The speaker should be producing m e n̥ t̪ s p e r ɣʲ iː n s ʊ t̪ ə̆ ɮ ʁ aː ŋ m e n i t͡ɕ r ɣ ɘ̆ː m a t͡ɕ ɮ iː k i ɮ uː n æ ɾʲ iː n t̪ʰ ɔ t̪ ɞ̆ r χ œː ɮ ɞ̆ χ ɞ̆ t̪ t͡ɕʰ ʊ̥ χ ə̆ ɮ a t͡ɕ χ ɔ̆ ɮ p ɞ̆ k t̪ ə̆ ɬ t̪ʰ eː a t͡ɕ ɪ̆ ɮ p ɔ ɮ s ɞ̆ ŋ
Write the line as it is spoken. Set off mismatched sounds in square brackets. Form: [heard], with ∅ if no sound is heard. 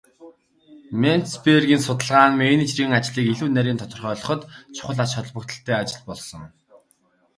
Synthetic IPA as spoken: m e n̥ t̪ s p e r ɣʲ iː n s ʊ t̪ ə̆ ɮ ʁ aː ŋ m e n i t͡ɕ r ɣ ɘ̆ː [ŋ] a t͡ɕ ɮ iː k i ɮ uː n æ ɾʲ iː n t̪ʰ ɔ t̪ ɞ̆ r χ œː ɮ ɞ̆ χ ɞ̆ t̪ t͡ɕʰ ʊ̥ χ ə̆ ɮ a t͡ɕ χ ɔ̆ ɮ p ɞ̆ k t̪ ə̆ ɬ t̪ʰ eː a t͡ɕ ɪ̆ ɮ p ɔ ɮ s ɞ̆ ŋ